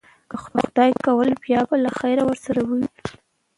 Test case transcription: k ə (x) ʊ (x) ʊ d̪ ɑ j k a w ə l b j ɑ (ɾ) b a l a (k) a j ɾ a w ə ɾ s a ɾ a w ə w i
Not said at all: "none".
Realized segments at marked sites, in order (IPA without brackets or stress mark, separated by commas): x, x, none, x